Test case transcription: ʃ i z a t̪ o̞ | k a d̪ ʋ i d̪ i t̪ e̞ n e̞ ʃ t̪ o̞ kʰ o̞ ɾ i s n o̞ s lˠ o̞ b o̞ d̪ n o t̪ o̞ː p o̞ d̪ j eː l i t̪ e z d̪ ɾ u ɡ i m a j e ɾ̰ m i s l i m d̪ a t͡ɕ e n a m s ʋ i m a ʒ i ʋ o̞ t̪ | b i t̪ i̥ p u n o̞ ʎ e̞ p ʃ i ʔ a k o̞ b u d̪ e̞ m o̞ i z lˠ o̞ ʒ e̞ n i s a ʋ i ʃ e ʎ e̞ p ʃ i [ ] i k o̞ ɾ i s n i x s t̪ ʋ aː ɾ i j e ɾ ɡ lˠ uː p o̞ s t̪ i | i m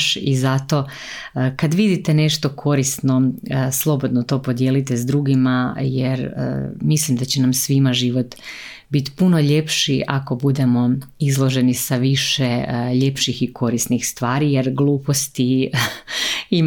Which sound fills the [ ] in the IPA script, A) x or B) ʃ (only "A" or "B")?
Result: A